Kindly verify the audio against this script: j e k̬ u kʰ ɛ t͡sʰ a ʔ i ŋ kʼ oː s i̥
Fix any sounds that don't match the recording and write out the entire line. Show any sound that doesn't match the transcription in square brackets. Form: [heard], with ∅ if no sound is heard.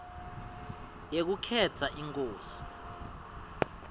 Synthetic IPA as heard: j e k̬ u kʰ ɛ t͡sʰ a ʔ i ŋ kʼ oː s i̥